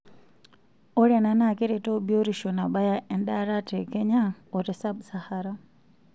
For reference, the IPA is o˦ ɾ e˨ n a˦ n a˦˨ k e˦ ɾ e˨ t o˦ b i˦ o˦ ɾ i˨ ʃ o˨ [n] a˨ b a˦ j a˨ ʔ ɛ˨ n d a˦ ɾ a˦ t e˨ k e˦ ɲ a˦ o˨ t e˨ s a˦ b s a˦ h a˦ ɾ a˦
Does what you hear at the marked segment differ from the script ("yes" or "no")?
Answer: no